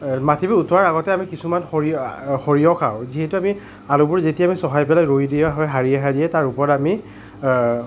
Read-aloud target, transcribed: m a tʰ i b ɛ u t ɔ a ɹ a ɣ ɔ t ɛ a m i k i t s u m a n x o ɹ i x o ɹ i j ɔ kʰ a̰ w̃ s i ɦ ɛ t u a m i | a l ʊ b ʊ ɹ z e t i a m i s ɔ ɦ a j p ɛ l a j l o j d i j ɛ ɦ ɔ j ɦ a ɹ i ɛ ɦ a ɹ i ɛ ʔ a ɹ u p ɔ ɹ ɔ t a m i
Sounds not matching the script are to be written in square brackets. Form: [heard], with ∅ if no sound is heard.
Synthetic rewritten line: m a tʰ i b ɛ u t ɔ a ɹ a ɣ ɔ t ɛ a m i k i [∅] s u m a n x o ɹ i x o ɹ i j ɔ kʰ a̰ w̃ [z] i ɦ ɛ t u a m i | a l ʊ b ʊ ɹ z e t i a m i s ɔ ɦ a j p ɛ l a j [ɹ] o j d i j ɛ ɦ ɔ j ɦ a ɹ i ɛ ɦ a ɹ i ɛ [t] a ɹ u p ɔ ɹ ɔ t a m i

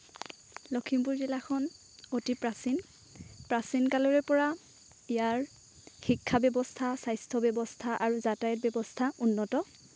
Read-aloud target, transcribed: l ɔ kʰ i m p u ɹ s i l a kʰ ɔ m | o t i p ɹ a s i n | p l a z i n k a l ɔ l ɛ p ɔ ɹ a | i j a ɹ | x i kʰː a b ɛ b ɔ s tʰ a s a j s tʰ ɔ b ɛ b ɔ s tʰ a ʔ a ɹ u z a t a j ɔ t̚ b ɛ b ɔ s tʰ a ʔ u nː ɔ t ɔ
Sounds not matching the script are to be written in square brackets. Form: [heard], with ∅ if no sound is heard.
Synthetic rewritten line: l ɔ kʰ i m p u ɹ [z] i l a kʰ ɔ [n] | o t i p ɹ a s i n | p [ɹ] a [s] i n k a l ɔ [ɹ] ɛ p ɔ ɹ a | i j a ɹ | x i kʰː a b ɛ b ɔ s tʰ a s a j s tʰ ɔ b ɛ b ɔ s tʰ a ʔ a ɹ u z a t a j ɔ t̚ b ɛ b ɔ s tʰ a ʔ u nː ɔ t ɔ

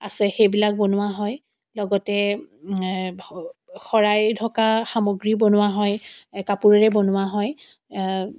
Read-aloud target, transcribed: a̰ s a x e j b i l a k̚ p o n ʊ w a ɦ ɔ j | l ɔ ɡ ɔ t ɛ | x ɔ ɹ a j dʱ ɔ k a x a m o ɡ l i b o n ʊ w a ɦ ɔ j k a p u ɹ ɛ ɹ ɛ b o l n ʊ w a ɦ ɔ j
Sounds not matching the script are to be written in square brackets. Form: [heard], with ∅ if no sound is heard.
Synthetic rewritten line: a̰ s [ɛ] x e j b i l a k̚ [b] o n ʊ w a ɦ ɔ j | l ɔ ɡ ɔ t ɛ | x ɔ ɹ a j dʱ ɔ k a x a m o ɡ [ɹ] i b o n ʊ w a ɦ ɔ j k a p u ɹ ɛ ɹ ɛ b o [∅] n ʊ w a ɦ ɔ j

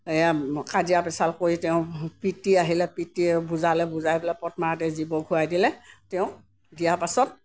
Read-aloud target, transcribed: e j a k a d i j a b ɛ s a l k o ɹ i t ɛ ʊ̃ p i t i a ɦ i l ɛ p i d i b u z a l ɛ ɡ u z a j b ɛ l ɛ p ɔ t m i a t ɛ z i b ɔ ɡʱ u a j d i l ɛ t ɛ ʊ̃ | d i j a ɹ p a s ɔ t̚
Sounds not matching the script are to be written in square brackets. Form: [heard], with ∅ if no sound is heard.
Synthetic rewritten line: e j a k a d i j a [p] ɛ s a l k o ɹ i t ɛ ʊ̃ p i t i a ɦ i l ɛ p i [t] i b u z a l ɛ [b] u z a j b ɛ l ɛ p ɔ t m [a] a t ɛ z i b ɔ ɡʱ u a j d i l ɛ t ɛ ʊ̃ | d i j a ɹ p a s ɔ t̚

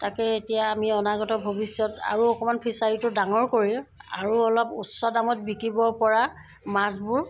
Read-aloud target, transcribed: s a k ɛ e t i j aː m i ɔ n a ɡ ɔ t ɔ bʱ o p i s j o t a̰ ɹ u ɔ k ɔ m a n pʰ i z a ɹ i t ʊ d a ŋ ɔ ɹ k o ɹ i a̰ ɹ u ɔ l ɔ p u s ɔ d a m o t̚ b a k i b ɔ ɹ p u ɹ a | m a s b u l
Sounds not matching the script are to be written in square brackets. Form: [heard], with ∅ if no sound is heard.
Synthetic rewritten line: [t] a k ɛ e t i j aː m i ɔ n a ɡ ɔ t ɔ bʱ o [b] i s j [ɔ] t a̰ ɹ u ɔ k ɔ m a n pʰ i [s] a ɹ i t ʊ d a ŋ ɔ ɹ k o ɹ i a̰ ɹ u ɔ l ɔ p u s ɔ d a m [ɔ] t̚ b [i] k i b ɔ ɹ p [ɔ] ɹ a | m a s b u [ɹ]

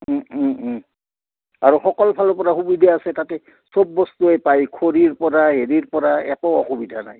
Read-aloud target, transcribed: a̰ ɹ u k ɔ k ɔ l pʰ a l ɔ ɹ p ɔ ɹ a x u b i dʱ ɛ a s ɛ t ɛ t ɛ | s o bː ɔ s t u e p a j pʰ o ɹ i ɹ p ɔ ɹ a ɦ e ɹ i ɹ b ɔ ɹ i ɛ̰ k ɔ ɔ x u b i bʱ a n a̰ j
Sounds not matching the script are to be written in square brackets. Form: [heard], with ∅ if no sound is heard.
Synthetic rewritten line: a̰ ɹ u [x] ɔ k ɔ l pʰ a l ɔ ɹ p ɔ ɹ a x u b i dʱ [a] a s ɛ t [a] t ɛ | s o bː ɔ s t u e p a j [kʰ] o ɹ i ɹ p ɔ ɹ a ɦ e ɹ i ɹ [p] ɔ ɹ [a] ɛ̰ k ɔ ɔ x u b i [dʱ] a n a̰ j

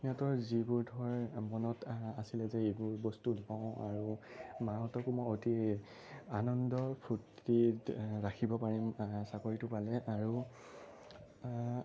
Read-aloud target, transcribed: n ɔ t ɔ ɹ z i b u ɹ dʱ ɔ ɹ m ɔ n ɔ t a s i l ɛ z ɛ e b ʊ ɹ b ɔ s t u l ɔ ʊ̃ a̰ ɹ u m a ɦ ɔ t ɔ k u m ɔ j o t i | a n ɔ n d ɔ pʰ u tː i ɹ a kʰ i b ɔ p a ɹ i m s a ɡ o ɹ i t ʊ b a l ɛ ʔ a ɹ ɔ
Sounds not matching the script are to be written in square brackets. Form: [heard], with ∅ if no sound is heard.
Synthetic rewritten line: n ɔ t ɔ ɹ z i b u ɹ dʱ ɔ ɹ m ɔ n ɔ t a s i l ɛ z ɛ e b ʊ ɹ b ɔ s t u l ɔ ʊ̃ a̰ ɹ u m a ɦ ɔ t ɔ k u m ɔ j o t i | a n ɔ n d ɔ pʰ u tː i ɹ a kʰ i b ɔ p a ɹ i m s a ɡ o ɹ i t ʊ [p] a l ɛ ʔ a ɹ [u]

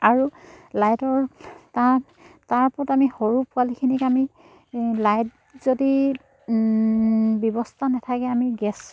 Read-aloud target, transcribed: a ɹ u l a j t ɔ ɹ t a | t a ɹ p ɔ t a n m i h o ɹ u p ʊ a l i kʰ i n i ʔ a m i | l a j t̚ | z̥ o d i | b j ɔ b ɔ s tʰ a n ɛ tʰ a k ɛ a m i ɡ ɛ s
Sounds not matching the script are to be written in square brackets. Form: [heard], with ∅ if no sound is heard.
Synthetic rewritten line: a ɹ u l a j t ɔ ɹ t a | t a ɹ p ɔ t a [∅] m i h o ɹ u p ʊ a l i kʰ i n i [k] a m i | l a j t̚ | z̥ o d i | b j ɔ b ɔ s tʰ a n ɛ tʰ a k ɛ a m i ɡ ɛ s

